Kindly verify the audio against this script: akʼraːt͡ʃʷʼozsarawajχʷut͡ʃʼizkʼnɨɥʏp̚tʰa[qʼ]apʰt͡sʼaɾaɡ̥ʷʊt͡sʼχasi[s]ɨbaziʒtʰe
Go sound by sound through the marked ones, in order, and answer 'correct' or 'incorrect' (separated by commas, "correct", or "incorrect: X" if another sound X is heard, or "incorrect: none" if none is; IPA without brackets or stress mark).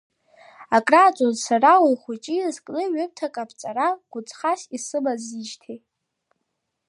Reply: incorrect: kʼ, correct